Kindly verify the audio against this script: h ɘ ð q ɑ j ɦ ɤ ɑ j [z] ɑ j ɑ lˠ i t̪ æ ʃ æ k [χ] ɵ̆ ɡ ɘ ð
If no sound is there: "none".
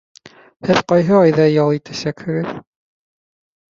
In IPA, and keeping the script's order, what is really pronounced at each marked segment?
ð, h

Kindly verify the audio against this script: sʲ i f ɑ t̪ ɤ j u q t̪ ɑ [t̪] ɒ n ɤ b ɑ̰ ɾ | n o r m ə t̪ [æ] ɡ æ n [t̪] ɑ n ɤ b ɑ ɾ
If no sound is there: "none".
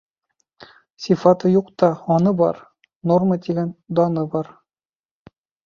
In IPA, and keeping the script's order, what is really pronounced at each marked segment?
none, i, d̪

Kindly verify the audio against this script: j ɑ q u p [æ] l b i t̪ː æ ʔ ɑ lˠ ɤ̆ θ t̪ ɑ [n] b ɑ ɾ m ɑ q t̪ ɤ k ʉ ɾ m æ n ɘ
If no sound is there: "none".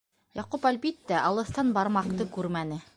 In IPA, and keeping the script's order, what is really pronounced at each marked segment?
æ, n

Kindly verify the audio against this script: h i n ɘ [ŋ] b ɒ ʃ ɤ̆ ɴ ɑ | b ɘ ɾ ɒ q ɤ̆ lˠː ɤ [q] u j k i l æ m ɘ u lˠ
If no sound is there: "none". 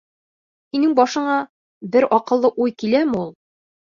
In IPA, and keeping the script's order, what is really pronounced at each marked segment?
ŋ, ʔ

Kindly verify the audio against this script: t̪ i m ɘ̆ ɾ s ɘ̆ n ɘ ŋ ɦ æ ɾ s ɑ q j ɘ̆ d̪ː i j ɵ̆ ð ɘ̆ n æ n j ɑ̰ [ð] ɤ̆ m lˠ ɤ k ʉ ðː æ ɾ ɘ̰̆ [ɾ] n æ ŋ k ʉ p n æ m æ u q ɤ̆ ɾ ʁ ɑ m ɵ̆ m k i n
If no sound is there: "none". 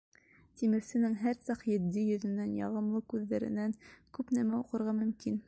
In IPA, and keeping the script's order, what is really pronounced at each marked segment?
ʁ, none

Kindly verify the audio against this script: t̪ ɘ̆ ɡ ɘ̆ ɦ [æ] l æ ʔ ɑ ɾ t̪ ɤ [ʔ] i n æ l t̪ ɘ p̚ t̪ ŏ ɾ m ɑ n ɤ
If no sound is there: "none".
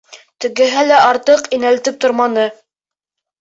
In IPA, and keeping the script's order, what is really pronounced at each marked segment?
æ, q

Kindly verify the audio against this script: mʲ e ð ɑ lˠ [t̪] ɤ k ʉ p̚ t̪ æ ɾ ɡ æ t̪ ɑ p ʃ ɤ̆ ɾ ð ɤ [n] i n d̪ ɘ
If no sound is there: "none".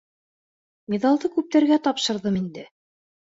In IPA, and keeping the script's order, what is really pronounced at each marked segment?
d̪, m

